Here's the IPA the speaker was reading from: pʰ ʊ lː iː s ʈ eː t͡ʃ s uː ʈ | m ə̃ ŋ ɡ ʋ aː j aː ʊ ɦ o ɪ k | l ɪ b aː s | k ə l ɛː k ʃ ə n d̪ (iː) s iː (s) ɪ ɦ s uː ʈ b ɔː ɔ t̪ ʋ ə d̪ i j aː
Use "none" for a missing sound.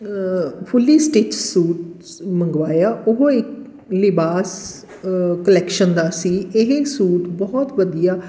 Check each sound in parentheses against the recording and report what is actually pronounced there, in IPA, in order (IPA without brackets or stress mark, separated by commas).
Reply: aː, none